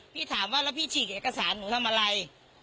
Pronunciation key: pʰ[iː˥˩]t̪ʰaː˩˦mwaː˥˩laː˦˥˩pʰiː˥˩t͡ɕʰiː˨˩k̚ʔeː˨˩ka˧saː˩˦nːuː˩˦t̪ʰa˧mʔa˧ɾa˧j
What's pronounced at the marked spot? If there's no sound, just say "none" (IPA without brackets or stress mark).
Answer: iː˥˩